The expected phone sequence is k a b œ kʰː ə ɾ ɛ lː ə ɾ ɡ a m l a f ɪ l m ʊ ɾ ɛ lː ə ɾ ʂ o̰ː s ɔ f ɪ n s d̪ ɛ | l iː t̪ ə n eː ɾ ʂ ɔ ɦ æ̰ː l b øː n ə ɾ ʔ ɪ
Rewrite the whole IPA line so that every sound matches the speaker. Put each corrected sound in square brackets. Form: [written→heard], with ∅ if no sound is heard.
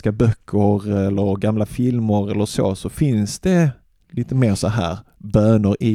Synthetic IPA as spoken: k a b œ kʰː ə ɾ ɛ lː ə ɾ ɡ a m l a f ɪ l m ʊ ɾ ɛ lː ə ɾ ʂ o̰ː s ɔ f ɪ n s d̪ ɛ | l iː t̪ ə [n→m] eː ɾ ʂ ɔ ɦ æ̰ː [l→ɾ] b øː n ə ɾ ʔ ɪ